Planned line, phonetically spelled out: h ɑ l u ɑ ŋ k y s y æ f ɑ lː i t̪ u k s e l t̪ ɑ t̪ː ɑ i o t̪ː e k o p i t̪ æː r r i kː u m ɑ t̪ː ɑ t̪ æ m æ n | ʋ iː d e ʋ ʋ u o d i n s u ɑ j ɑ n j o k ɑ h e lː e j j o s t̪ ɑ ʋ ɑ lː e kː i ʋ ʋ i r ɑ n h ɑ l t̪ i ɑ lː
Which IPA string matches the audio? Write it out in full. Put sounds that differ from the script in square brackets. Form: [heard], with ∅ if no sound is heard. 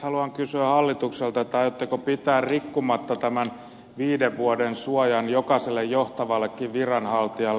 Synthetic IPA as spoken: h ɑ l u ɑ ŋ k y s y æ [h] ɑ lː i t̪ u k s e l t̪ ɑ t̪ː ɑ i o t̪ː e k o p i t̪ æː r r i kː u m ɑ t̪ː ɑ t̪ æ m æ n | ʋ iː d e ʋ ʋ u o d [e] n s u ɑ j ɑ n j o k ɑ [s] e lː e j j o [h] t̪ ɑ ʋ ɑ lː e kː i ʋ ʋ i r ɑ n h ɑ l t̪ i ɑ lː